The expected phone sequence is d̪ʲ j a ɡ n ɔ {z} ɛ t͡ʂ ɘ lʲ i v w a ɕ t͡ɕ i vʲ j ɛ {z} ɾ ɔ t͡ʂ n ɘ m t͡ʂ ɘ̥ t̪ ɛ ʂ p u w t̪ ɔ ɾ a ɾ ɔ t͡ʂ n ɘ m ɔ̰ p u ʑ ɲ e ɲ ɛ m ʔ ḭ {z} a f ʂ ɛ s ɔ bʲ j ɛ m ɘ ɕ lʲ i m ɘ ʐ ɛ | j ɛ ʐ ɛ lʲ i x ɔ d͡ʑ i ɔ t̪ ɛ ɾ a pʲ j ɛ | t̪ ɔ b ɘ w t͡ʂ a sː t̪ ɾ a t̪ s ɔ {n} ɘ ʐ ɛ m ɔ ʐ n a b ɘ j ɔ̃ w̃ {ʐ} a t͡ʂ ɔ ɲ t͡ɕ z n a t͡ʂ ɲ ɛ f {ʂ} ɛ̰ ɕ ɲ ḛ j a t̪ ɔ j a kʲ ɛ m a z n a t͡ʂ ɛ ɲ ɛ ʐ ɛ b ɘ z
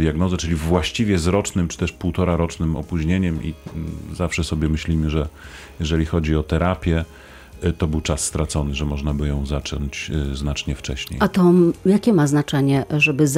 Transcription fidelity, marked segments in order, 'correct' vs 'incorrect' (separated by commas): correct, correct, correct, correct, incorrect, incorrect